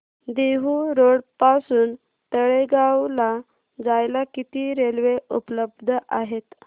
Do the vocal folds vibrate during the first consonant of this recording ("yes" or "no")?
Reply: yes